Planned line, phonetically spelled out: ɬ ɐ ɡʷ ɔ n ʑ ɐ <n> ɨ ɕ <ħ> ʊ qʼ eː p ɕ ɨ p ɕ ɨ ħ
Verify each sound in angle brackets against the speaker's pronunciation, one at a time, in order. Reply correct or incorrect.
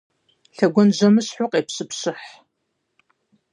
incorrect, correct

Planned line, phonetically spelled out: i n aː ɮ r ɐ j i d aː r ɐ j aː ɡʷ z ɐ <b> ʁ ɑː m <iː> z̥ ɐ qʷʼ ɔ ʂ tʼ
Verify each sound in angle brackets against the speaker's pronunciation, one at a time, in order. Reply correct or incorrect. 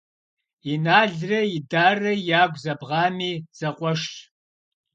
correct, correct

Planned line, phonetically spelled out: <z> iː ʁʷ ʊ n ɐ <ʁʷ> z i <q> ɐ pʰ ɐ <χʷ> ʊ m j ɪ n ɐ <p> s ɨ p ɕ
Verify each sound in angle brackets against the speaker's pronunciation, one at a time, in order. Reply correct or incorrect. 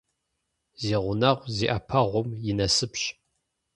correct, correct, incorrect, incorrect, incorrect

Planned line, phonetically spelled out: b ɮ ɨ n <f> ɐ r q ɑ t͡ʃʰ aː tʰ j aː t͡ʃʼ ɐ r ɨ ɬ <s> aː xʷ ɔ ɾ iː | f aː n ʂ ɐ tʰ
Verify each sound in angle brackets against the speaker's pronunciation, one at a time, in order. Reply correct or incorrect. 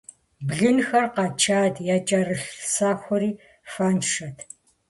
incorrect, correct

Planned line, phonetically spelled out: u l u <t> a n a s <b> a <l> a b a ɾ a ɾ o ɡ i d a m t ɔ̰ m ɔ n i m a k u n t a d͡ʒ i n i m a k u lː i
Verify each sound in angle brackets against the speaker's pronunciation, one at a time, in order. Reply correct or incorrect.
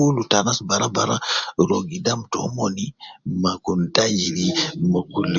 correct, correct, incorrect

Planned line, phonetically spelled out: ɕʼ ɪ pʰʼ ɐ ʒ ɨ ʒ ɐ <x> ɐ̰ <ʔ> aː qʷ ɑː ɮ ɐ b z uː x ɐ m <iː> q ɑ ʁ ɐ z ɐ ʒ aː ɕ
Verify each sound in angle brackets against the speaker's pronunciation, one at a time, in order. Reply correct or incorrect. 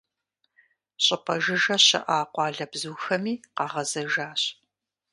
incorrect, correct, correct

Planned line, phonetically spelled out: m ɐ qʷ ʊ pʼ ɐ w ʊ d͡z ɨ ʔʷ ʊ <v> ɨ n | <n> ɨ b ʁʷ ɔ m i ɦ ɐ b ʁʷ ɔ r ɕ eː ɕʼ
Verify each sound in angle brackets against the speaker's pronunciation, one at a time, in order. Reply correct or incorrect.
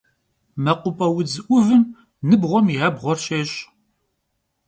correct, correct

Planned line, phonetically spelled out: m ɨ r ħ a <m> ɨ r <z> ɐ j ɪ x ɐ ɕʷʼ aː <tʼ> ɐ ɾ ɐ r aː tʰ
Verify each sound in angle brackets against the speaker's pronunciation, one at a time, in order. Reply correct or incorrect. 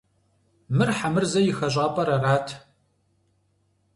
correct, correct, incorrect

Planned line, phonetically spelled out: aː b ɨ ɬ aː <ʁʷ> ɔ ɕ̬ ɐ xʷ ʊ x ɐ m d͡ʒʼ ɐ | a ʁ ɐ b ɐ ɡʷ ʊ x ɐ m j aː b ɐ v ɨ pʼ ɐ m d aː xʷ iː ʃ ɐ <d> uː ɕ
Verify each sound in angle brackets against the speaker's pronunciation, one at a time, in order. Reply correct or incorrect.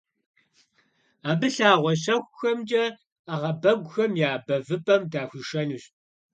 correct, incorrect

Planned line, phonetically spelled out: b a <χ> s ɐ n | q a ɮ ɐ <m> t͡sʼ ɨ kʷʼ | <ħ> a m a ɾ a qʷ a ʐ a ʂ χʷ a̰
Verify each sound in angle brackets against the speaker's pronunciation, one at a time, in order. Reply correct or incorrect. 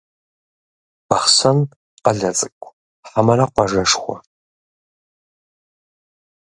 correct, incorrect, correct

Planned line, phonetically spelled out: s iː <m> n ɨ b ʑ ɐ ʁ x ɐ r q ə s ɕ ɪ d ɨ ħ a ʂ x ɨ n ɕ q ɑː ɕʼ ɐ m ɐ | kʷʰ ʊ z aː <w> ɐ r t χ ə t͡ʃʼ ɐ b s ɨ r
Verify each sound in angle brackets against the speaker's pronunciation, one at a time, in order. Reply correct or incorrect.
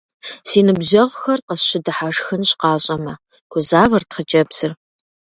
incorrect, incorrect

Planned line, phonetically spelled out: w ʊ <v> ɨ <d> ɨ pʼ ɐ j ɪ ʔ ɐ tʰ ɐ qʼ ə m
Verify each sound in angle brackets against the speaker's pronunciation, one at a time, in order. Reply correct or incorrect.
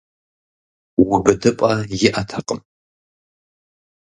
incorrect, correct

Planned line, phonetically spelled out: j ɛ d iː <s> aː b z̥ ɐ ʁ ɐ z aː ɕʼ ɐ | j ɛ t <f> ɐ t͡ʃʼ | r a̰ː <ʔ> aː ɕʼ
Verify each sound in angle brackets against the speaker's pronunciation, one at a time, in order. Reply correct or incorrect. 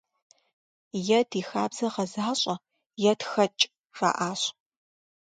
incorrect, incorrect, correct

